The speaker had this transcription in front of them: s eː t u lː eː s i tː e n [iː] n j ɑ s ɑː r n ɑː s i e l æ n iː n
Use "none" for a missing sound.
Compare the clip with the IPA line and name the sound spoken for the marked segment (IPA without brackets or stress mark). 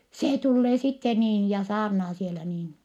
iː